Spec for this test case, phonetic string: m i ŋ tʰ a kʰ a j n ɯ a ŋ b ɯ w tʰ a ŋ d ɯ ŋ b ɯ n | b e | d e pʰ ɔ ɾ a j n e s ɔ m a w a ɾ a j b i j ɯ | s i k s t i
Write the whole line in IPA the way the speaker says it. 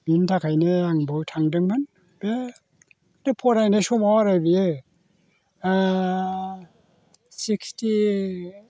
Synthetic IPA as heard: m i n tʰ a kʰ a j n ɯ a ŋ b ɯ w tʰ a ŋ d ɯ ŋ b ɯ n | b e | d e pʰ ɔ ɾ a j n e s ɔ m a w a ɾ a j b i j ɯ | s i k s t i